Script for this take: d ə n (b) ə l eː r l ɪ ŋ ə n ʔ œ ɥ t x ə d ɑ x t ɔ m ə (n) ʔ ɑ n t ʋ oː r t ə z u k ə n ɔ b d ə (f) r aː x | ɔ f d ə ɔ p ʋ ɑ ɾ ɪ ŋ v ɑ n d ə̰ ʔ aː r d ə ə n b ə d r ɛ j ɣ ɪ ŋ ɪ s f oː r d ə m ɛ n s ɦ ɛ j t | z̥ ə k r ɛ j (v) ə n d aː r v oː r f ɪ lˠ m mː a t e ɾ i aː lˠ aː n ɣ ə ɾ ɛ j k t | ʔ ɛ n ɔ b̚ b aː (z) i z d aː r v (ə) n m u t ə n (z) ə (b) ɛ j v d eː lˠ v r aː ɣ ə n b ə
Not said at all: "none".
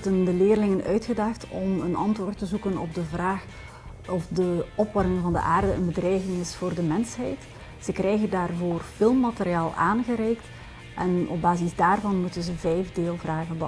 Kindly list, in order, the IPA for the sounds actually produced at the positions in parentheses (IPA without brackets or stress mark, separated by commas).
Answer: d, n, v, ɣ, z, ɑ, z, v